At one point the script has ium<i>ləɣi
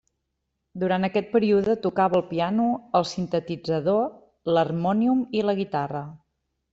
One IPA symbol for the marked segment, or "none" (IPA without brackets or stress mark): i